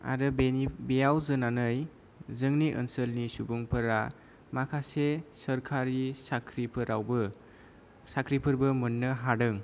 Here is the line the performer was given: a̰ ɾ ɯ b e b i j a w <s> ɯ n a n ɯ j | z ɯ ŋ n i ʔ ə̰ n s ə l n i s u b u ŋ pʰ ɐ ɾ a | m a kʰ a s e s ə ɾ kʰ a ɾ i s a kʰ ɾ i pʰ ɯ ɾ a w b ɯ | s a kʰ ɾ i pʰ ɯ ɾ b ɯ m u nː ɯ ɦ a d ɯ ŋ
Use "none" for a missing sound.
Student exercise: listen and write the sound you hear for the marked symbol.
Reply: z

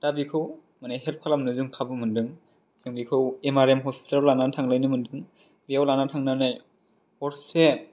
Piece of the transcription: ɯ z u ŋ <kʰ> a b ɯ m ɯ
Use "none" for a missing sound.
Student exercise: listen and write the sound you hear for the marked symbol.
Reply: kʰ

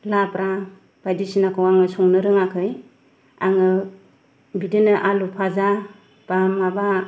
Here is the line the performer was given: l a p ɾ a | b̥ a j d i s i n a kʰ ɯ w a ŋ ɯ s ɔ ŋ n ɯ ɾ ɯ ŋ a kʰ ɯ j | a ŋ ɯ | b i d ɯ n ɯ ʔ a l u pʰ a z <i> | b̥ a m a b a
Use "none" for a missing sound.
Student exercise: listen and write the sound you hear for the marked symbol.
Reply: a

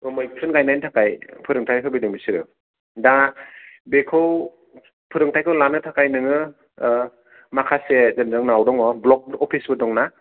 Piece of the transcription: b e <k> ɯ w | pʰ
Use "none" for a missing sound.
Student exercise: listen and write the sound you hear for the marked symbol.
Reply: kʰ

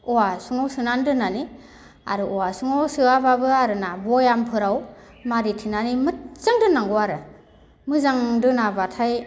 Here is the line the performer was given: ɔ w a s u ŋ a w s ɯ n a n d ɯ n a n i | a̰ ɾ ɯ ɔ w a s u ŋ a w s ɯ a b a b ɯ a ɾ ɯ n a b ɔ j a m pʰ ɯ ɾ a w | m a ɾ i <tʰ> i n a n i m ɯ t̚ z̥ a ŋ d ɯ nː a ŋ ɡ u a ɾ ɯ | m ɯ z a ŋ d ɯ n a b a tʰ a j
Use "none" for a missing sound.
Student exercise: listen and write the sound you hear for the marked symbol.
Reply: tʰ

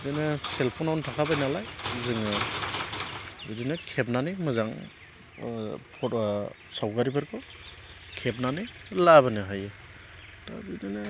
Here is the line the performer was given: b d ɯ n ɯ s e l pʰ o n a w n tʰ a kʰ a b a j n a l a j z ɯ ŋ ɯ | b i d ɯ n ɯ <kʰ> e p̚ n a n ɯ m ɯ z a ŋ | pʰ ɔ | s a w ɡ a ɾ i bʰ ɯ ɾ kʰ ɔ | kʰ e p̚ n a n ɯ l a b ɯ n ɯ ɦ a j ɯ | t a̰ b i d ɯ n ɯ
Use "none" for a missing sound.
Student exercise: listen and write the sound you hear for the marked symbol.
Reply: kʰ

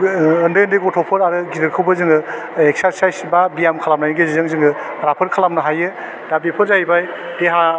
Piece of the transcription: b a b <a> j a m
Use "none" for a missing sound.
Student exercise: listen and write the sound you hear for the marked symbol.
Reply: i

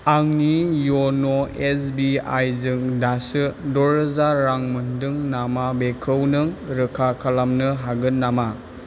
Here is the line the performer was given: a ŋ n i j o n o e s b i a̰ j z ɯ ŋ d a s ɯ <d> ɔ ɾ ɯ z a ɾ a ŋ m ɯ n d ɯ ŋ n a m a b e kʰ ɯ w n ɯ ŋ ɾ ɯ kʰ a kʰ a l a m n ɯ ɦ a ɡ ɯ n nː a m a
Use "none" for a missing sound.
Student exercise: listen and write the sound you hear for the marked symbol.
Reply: d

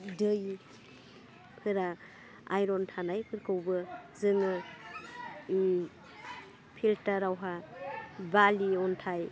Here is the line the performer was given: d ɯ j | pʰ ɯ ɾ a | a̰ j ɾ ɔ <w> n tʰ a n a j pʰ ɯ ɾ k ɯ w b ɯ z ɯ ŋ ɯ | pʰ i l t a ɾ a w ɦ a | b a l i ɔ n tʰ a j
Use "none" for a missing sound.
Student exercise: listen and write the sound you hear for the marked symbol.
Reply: none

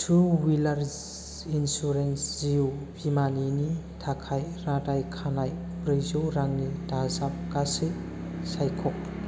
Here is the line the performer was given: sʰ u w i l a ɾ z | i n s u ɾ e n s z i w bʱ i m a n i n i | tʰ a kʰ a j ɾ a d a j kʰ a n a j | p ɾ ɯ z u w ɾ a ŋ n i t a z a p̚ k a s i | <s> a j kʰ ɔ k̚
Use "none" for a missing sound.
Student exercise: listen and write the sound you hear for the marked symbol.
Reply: s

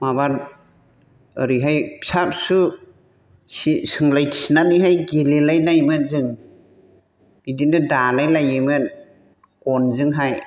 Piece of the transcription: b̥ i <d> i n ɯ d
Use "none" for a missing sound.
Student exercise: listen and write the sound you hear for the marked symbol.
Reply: d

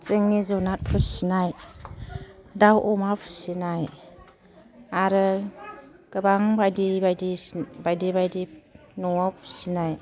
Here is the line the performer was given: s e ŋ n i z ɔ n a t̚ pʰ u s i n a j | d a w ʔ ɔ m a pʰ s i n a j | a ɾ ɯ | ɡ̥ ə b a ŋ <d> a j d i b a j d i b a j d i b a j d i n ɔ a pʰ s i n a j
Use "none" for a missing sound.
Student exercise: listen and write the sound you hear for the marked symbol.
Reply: b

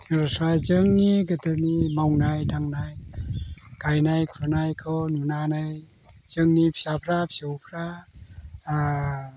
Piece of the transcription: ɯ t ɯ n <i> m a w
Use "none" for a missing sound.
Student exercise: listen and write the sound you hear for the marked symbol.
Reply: i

